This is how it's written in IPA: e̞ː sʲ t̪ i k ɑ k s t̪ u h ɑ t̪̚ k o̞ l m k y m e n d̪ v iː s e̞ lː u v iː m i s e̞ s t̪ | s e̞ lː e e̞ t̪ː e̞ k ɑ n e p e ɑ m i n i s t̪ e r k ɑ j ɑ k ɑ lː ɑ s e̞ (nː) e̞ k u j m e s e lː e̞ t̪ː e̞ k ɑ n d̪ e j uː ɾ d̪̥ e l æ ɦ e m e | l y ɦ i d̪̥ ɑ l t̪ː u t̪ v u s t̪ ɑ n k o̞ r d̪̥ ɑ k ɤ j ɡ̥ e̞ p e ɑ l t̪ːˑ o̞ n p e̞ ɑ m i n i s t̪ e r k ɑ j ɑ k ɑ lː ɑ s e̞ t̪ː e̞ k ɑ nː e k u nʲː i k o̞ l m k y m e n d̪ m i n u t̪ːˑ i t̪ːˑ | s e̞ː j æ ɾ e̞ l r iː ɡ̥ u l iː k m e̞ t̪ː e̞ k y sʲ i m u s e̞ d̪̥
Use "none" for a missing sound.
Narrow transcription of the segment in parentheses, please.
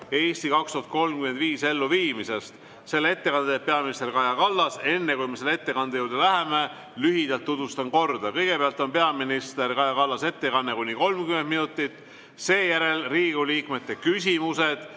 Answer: nː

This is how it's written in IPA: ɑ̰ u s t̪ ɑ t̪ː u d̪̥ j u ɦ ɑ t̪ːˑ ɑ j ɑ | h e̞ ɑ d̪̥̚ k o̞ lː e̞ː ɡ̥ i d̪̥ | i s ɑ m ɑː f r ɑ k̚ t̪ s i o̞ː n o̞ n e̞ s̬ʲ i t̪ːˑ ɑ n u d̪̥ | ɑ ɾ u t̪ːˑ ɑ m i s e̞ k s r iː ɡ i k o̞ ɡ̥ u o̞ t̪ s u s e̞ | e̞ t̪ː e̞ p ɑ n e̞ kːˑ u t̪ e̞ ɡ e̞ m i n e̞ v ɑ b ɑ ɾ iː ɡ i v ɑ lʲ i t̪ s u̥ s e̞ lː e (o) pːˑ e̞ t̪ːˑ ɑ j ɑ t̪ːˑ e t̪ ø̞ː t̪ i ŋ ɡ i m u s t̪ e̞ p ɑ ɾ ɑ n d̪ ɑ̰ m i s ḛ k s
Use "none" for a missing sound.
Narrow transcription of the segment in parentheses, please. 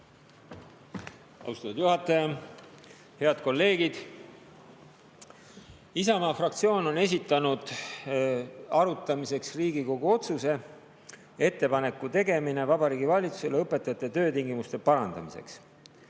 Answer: ɤ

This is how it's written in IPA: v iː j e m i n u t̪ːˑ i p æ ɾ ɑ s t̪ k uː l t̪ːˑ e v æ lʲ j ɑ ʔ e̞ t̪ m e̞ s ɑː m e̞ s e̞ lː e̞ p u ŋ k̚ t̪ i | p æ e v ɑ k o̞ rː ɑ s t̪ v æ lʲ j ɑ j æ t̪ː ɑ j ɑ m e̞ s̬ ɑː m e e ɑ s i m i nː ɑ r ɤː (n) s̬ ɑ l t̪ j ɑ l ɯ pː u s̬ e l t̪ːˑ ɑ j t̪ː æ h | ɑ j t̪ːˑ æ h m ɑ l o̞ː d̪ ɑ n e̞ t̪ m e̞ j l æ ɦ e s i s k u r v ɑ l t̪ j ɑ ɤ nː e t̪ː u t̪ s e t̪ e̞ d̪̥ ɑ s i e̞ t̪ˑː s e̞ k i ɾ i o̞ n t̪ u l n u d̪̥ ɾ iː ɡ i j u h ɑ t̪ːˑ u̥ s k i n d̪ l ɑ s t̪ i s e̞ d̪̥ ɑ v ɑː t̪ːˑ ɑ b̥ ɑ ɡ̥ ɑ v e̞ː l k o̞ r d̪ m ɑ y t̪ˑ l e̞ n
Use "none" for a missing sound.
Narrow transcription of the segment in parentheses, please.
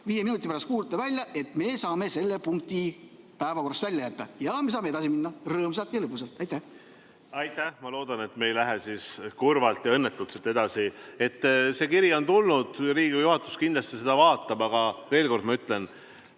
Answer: m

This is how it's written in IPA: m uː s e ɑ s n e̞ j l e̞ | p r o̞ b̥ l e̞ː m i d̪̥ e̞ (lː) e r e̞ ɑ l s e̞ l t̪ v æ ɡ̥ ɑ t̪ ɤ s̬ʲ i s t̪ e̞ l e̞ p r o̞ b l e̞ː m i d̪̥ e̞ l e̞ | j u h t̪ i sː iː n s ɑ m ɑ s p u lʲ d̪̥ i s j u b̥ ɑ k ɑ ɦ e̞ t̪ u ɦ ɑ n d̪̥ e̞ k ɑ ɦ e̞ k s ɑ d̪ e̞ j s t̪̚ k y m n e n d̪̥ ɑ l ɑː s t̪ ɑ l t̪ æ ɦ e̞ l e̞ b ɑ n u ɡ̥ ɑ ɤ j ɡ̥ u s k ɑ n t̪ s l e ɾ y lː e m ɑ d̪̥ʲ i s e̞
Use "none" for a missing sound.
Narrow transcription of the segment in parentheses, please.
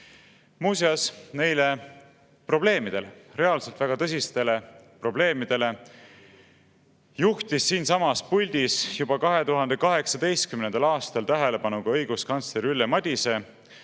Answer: l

